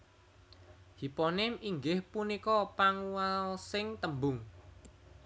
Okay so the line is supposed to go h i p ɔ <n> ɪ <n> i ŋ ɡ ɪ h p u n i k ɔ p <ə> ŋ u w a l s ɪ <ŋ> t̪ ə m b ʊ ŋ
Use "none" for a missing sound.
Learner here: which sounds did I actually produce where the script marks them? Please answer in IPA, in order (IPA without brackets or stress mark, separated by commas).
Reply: n, m, a, ŋ